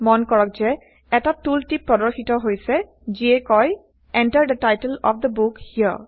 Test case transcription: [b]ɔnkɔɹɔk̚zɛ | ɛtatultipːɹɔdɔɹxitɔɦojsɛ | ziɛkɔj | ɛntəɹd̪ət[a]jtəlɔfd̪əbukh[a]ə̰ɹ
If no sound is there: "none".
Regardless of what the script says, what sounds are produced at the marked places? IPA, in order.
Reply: m, a, i

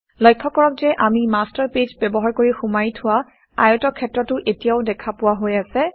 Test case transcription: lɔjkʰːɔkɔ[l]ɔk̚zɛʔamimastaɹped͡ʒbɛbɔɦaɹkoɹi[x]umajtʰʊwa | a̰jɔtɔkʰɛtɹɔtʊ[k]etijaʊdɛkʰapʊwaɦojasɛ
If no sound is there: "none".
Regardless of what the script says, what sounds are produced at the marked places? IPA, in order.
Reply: ɹ, x, ʔ

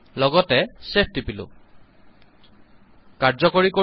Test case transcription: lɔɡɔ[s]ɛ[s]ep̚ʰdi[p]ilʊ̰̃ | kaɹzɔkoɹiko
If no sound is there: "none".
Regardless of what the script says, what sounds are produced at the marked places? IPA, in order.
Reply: t, s, p

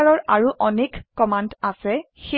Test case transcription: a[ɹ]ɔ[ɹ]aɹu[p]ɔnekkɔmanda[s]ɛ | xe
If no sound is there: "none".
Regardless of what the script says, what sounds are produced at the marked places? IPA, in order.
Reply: ɹ, ɹ, ʔ, s

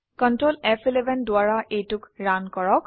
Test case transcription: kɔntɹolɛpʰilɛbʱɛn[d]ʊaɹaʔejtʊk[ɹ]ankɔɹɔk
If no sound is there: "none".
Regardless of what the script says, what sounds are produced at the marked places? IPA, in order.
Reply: d, ɹ

